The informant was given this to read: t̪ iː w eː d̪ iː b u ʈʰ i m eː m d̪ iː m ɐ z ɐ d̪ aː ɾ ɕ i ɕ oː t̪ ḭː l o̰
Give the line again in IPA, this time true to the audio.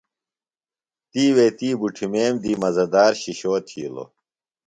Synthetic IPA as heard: t̪ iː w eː t̪ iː b u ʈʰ i m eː m d̪ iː m ɐ z ɐ d̪ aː ɾ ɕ i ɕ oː t̪ʰ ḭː l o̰